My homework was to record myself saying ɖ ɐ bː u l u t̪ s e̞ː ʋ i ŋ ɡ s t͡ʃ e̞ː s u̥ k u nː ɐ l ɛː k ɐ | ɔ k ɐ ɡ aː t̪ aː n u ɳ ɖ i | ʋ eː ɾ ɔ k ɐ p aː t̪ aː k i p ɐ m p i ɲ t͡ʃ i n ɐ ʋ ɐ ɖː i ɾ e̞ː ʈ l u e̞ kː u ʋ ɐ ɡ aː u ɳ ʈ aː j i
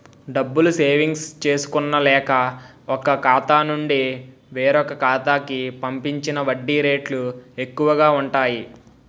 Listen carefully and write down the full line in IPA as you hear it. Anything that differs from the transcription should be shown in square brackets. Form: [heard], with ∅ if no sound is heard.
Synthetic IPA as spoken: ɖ ɐ bː u l u [∅] s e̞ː ʋ i ŋ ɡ s t͡ʃ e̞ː s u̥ k u nː ɐ l ɛː k ɐ | ɔ k ɐ [k] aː t̪ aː n u ɳ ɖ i | ʋ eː ɾ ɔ k ɐ [k] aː t̪ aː k i p ɐ m p i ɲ t͡ʃ i n ɐ ʋ ɐ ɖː i ɾ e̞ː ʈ l u e̞ kː u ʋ ɐ ɡ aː u ɳ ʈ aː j i